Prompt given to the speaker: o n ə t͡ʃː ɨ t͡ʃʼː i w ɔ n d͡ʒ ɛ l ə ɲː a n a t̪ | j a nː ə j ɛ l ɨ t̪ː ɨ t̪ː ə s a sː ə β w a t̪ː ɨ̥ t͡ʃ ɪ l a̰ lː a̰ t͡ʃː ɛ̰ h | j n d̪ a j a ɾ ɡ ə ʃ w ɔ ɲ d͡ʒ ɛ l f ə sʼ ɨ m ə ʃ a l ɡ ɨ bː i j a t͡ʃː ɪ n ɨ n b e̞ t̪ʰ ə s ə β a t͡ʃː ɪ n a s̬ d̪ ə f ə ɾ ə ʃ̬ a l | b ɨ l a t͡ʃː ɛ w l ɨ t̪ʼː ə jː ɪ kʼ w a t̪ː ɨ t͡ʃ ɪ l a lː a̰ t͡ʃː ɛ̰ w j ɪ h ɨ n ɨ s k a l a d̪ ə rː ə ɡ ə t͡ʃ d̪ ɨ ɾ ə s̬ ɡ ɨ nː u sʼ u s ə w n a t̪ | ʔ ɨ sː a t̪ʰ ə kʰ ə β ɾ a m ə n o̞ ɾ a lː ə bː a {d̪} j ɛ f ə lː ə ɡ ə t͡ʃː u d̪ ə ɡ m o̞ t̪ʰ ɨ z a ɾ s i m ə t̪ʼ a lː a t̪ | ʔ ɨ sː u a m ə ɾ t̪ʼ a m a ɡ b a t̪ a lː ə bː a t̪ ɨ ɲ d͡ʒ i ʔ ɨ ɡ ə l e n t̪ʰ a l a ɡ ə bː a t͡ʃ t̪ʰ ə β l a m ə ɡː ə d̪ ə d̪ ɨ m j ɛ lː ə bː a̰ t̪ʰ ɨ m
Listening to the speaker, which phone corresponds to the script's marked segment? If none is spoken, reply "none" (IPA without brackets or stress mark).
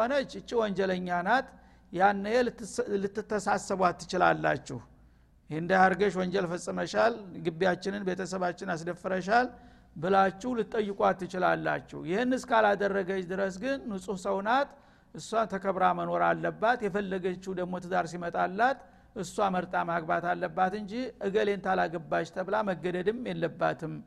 t̪